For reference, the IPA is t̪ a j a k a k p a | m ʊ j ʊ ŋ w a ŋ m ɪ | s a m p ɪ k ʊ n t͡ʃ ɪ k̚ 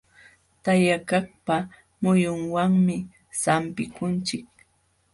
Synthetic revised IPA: t̪ a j a k a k p a | m ʊ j ʊ ŋ w a ŋ m ɪ | s a m p ɪ k ʊ n t͡ʃ ɪ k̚